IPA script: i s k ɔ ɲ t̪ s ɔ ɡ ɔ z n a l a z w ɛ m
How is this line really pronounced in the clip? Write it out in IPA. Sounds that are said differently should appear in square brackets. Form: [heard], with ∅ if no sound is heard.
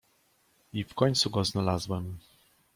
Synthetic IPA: i [f] k ɔ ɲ t̪ s [u] ɡ ɔ z n a l a z w ɛ m

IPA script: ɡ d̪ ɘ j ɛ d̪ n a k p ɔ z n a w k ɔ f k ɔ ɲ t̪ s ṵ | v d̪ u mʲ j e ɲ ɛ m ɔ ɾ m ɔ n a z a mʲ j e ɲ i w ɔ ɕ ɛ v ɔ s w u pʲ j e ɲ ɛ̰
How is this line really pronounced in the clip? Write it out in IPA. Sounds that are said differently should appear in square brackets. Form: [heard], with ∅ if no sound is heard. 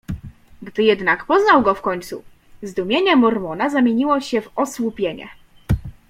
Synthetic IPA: ɡ d̪ ɘ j ɛ d̪ n a k p ɔ z n a w [ɡ] ɔ f k ɔ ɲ t̪ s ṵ | [z] d̪ u mʲ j e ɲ ɛ m ɔ ɾ m ɔ n a z a mʲ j e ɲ i w ɔ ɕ ɛ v ɔ s w u pʲ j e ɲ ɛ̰

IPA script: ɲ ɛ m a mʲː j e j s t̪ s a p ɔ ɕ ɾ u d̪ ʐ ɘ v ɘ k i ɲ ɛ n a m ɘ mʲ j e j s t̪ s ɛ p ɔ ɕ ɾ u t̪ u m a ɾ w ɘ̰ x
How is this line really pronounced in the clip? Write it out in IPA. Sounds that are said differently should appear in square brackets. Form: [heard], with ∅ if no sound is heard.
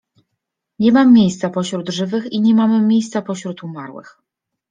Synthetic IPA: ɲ ɛ m a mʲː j e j s t̪ s a p ɔ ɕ ɾ u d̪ ʐ ɘ v ɘ [x] i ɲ ɛ [m] a m ɘ mʲ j e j s t̪ s [a] p ɔ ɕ ɾ u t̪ u m a ɾ w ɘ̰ x

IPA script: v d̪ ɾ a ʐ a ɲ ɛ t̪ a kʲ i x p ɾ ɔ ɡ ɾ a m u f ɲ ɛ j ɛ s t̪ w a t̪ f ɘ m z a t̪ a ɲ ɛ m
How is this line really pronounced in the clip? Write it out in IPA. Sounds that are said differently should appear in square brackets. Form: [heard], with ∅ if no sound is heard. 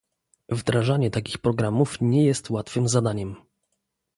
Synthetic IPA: v d̪ ɾ a ʐ a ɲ ɛ t̪ a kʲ i x p ɾ ɔ ɡ ɾ a m u f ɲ ɛ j ɛ s t̪ w a t̪ f ɘ m z a [d̪] a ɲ ɛ m

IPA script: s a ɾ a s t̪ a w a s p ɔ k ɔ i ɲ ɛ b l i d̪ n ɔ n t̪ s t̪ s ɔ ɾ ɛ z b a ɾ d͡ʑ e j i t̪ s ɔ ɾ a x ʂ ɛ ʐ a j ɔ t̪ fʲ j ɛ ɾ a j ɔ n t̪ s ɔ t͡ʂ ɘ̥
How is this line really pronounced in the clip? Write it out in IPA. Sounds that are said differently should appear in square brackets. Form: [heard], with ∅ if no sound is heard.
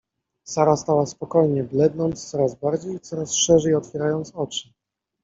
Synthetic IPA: s a ɾ a s t̪ a w a s p ɔ k ɔ [j] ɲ ɛ b l [ɛ] d̪ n ɔ n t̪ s t̪ s ɔ ɾ [a] z b a ɾ d͡ʑ e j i t̪ s ɔ ɾ a [s] ʂ ɛ ʐ [ɛ] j ɔ t̪ fʲ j ɛ ɾ a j ɔ n t̪ s ɔ t͡ʂ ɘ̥

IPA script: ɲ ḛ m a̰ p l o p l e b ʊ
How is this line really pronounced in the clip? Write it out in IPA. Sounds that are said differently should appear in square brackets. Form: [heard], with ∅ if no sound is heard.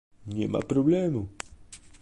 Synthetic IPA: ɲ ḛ m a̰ p [ɾ] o [b] l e [m] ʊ

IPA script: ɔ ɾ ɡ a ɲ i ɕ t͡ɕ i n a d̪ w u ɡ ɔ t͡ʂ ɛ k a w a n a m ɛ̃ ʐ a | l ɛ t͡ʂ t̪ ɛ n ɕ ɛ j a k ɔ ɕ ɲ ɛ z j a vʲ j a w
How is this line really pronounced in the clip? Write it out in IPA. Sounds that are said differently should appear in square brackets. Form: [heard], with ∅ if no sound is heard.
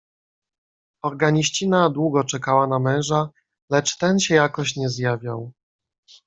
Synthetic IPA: ɔ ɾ ɡ a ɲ i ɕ t͡ɕ i n a d̪ w u ɡ ɔ t͡ʂ ɛ k a w a n a m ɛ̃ ʐ a | l ɛ t͡ʂ t̪ ɛ n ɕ ɛ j a k ɔ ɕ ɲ ɛ z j a vʲ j a w

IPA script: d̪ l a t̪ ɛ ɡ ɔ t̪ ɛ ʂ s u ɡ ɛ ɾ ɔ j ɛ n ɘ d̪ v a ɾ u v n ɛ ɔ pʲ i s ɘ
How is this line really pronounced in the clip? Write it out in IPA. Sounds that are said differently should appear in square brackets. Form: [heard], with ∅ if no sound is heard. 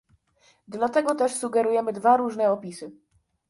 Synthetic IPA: d̪ l a t̪ ɛ ɡ ɔ t̪ ɛ ʂ s u ɡ ɛ ɾ [u] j ɛ [m] ɘ d̪ v a ɾ u [ʐ] n ɛ ɔ pʲ i s ɘ

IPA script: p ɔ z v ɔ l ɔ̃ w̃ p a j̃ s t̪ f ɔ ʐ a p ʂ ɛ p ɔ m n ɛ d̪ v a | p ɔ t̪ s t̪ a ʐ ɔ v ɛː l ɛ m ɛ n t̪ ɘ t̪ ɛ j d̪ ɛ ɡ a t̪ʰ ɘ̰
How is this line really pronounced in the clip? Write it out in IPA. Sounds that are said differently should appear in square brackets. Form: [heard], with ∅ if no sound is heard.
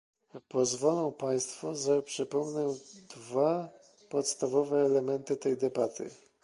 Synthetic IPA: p ɔ z v ɔ l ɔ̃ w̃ p a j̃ s t̪ f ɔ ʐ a p ʂ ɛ p ɔ m n ɛ d̪ v a | p ɔ t̪ s t̪ a [v] ɔ v ɛː l ɛ m ɛ n t̪ ɘ t̪ ɛ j d̪ ɛ [b] a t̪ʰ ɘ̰

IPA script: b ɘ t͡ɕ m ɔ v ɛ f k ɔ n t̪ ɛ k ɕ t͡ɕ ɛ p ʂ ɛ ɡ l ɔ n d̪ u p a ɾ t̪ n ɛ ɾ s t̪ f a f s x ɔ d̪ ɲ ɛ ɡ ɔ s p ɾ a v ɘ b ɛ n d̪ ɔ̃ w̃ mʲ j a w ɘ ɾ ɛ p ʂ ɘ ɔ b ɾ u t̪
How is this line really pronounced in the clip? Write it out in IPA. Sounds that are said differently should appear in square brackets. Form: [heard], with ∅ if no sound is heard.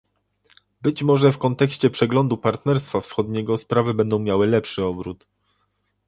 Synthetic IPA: b ɘ t͡ɕ m ɔ [ʐ] ɛ f k ɔ n t̪ ɛ k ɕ t͡ɕ ɛ p ʂ ɛ ɡ l ɔ n d̪ u p a ɾ t̪ n ɛ ɾ s t̪ f a f s x ɔ d̪ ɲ ɛ ɡ ɔ s p ɾ a v ɘ b ɛ n d̪ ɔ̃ w̃ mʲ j a w ɘ [l] ɛ p ʂ ɘ ɔ b ɾ u t̪

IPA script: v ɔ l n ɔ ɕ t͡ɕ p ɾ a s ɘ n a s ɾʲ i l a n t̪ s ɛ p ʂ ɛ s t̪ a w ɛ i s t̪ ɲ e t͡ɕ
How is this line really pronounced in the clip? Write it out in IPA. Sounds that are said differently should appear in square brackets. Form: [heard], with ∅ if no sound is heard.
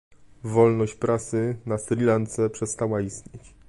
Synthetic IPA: v ɔ l n ɔ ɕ t͡ɕ p ɾ a s ɘ n a s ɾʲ i l a n t̪ s ɛ p ʂ ɛ s t̪ a w [a] i s t̪ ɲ e t͡ɕ

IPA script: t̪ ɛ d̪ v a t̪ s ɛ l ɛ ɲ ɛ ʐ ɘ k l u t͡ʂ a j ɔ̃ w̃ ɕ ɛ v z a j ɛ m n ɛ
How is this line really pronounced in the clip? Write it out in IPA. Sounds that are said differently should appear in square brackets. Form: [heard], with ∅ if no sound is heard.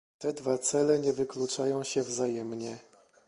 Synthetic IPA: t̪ ɛ d̪ v a t̪ s ɛ l ɛ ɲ ɛ [v] ɘ k l u t͡ʂ a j ɔ̃ w̃ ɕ ɛ v z a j ɛ m [ɲ] ɛ

